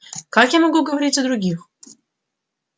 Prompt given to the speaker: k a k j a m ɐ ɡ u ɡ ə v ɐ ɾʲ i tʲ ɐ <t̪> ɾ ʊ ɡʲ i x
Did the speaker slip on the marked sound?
yes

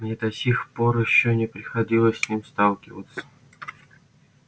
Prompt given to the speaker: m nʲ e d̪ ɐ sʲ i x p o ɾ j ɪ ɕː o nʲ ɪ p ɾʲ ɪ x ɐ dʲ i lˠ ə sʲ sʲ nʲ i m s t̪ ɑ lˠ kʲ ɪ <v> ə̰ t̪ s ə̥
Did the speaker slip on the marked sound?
no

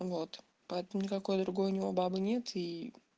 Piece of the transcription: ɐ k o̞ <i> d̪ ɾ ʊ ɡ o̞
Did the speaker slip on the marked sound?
yes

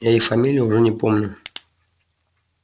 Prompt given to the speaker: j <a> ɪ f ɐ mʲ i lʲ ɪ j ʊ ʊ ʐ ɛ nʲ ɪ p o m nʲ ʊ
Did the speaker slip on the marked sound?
no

